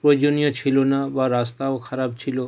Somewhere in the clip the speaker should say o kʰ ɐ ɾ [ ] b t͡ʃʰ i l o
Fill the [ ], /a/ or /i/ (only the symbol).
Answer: a